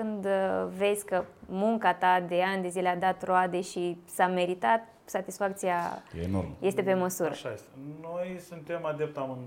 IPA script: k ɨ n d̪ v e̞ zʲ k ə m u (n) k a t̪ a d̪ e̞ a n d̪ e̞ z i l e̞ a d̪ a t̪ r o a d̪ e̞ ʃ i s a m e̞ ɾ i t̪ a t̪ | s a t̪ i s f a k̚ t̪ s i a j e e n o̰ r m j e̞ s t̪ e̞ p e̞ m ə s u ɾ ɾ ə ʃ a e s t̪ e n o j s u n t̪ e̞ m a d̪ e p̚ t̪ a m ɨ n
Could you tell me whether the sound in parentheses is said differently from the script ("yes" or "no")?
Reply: yes